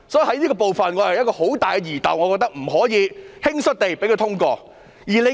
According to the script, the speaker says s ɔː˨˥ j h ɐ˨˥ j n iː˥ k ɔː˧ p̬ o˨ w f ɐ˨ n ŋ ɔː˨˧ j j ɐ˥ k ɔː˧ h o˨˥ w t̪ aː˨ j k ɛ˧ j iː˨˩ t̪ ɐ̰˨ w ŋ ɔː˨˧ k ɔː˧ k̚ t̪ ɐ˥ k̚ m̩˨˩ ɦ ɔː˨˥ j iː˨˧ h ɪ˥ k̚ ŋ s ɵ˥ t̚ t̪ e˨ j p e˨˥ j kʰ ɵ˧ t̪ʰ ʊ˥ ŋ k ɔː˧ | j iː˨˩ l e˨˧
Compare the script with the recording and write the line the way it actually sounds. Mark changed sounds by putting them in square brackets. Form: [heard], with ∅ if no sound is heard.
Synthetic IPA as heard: s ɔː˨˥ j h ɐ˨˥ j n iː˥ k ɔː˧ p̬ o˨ w f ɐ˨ n ŋ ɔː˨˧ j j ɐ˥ k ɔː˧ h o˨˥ w t̪ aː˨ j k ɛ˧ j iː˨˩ t̪ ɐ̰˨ w ŋ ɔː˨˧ k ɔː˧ k̚ t̪ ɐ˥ k̚ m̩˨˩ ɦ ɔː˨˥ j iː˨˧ h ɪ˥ [∅] ŋ s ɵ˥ t̚ t̪ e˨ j p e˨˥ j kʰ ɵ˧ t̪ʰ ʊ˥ ŋ k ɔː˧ | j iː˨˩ l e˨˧